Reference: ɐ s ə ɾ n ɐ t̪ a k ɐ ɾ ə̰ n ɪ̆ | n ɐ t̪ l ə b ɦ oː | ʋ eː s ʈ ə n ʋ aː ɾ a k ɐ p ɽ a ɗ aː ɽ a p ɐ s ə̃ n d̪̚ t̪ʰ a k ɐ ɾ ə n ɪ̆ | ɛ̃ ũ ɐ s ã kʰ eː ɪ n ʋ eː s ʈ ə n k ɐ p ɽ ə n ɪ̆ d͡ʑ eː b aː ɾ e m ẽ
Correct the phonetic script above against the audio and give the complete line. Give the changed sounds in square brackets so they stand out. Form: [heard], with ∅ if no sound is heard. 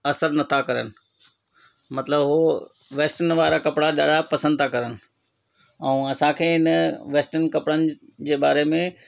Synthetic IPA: ɐ s ə ɾ n ɐ [t̪ʰ] a k ɐ ɾ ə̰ n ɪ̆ | [m] ɐ t̪ l ə b ɦ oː | ʋ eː s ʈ ə n ʋ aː ɾ a k ɐ p ɽ a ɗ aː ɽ a p ɐ s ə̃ n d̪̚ t̪ʰ a k ɐ ɾ ə n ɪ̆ | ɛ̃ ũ ɐ s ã kʰ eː ɪ n ʋ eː s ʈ ə n k ɐ p ɽ ə n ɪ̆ d͡ʑ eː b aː ɾ e m ẽ

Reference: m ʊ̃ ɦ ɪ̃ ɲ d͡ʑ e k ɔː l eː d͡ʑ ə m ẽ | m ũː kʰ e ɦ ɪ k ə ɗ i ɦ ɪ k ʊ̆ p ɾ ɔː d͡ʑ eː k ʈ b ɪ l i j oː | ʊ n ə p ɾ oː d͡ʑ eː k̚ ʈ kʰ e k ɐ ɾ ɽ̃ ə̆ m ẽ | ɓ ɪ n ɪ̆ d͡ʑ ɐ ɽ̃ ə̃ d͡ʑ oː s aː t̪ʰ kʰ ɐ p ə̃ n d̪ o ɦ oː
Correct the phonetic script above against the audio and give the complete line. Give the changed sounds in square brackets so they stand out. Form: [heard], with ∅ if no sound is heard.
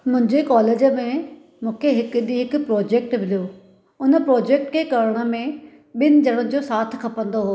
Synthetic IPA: m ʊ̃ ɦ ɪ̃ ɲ d͡ʑ e k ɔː l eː d͡ʑ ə m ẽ | m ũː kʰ e ɦ ɪ k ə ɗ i ɦ ɪ k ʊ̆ p ɾ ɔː d͡ʑ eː k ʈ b ɪ l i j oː | ʊ n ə p ɾ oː d͡ʑ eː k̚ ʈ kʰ e k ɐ ɾ ɽ̃ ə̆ m ẽ | ɓ ɪ n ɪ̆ d͡ʑ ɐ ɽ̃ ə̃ d͡ʑ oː s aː t̪ʰ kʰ ɐ p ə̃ n d̪ o ɦ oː

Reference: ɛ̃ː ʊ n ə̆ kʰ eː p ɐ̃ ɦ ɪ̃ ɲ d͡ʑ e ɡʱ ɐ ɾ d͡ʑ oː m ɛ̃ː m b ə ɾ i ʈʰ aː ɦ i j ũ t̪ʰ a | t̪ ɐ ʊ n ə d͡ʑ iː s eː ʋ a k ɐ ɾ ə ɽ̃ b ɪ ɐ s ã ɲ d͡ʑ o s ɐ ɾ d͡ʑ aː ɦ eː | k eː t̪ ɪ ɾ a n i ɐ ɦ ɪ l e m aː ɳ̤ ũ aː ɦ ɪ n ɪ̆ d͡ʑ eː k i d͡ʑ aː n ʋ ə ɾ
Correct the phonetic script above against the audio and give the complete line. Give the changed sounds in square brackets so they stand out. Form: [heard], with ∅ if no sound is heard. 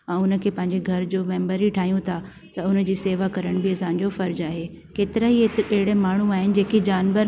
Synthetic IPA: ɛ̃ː ʊ n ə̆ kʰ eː p ɐ̃ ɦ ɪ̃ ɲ d͡ʑ e ɡʱ ɐ ɾ d͡ʑ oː m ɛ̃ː m b ə ɾ i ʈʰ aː ɦ i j ũ t̪ʰ a | t̪ ɐ ʊ n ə d͡ʑ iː s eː ʋ a k ɐ ɾ ə ɽ̃ b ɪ ɐ s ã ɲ d͡ʑ o [f] ɐ ɾ d͡ʑ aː ɦ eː | k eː t̪ ɪ ɾ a [∅] i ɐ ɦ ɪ [ɽ] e m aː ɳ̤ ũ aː ɦ ɪ n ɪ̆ d͡ʑ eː k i d͡ʑ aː n ʋ ə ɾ

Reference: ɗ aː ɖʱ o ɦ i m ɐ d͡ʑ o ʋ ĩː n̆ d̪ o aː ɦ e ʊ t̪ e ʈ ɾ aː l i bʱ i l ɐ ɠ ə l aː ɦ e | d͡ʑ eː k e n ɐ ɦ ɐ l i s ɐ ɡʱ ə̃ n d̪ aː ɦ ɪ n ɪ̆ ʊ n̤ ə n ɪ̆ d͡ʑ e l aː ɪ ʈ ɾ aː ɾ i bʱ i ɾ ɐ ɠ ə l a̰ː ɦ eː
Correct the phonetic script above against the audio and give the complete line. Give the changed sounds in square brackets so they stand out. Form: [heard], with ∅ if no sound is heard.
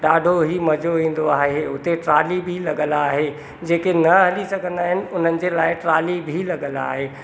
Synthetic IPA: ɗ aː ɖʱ o ɦ i m ɐ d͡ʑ o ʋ ĩː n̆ d̪ o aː ɦ e ʊ t̪ e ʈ ɾ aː l i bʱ i l ɐ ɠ ə l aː ɦ e | d͡ʑ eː k e n ɐ ɦ ɐ l i s ɐ ɡʱ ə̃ n d̪ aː ɦ ɪ n ɪ̆ ʊ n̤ ə n ɪ̆ d͡ʑ e l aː ɪ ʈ ɾ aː [l] i bʱ i [l] ɐ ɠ ə l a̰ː ɦ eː

